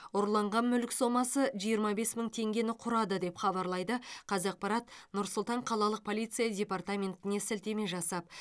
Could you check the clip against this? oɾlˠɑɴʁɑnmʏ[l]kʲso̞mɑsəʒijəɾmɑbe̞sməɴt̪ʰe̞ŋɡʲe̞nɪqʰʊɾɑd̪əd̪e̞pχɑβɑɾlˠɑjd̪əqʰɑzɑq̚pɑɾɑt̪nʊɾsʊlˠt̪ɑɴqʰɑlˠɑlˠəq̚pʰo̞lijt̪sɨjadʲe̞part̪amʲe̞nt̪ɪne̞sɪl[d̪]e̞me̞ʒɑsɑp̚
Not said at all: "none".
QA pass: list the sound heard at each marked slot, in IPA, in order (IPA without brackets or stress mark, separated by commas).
l, t̪